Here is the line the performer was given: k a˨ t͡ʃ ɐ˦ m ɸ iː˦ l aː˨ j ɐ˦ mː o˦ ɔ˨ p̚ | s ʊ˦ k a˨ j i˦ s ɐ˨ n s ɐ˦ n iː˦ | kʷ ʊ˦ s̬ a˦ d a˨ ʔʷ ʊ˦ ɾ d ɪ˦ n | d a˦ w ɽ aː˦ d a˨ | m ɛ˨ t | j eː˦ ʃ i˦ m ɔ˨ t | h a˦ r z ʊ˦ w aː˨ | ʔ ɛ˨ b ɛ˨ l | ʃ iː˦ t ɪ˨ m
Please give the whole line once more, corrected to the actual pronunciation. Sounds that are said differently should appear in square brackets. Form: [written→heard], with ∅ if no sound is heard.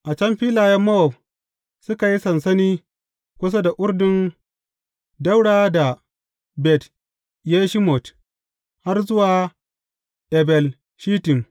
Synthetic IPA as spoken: [k→ʔ] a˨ t͡ʃ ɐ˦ m ɸ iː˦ l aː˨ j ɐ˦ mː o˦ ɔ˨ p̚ | s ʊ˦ k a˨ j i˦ s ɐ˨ n s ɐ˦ n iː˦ | kʷ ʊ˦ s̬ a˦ d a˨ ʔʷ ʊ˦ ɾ d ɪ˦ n | d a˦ w ɽ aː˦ d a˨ | [m→b] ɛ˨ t | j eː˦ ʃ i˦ m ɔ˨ t | h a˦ r z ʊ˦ w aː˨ | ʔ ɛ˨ b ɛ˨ l | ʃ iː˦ t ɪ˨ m